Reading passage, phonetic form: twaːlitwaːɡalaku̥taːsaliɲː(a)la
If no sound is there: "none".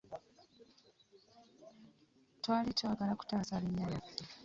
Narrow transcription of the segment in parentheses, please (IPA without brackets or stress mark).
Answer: a